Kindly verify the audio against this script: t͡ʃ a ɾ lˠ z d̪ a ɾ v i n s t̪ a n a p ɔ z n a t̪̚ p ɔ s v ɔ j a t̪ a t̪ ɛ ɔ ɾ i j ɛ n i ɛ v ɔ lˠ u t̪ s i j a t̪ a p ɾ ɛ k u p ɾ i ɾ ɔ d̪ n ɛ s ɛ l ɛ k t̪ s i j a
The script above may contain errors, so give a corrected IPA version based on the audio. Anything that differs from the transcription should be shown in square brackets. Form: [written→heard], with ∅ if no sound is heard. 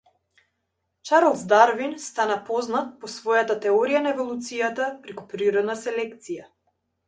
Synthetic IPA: t͡ʃ a ɾ lˠ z d̪ a ɾ v i n s t̪ a n a p ɔ z n a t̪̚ p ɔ s v ɔ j a t̪ a t̪ ɛ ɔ ɾ i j [ɛ→a] n [i→a] ɛ v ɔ lˠ u t̪ s i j a t̪ a p ɾ ɛ k u p ɾ i ɾ ɔ d̪ n [ɛ→a] s ɛ l ɛ k t̪ s i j a